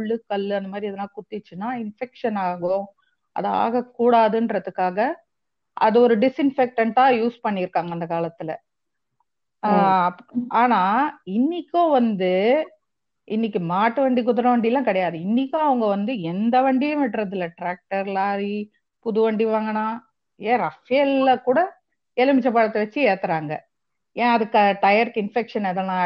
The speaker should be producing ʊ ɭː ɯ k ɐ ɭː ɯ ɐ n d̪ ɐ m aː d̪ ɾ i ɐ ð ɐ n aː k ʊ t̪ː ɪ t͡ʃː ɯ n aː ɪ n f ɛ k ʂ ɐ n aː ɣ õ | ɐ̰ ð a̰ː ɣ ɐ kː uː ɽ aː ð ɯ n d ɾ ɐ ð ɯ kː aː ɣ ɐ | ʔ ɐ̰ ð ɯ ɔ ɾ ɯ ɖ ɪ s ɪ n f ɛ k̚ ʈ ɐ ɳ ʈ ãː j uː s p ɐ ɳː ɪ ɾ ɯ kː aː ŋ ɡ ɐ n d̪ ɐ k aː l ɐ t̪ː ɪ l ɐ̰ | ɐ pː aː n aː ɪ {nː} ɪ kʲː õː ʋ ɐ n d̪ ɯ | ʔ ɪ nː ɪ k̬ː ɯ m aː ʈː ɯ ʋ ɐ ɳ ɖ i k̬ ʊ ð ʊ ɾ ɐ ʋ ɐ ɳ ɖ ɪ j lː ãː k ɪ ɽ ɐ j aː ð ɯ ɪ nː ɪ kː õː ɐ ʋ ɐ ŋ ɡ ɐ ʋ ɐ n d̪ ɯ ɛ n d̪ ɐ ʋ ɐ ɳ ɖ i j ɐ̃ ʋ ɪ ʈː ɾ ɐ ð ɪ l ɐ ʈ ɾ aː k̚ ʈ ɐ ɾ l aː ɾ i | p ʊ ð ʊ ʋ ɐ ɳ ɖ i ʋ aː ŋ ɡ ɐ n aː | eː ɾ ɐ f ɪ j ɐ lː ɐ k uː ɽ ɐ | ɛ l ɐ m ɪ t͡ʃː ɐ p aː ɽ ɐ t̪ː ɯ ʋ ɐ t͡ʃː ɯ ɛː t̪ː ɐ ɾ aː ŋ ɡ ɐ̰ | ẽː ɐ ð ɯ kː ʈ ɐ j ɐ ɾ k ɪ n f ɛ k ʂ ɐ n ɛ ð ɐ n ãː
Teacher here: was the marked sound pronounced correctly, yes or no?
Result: yes